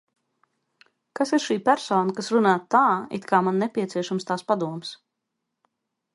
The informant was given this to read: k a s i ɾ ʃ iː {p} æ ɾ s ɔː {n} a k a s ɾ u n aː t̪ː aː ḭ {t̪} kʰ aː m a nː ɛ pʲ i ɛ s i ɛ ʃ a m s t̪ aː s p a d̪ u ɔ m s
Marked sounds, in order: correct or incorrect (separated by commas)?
correct, correct, correct